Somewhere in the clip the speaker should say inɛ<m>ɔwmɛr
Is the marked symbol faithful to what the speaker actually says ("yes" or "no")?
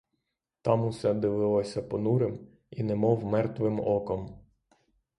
yes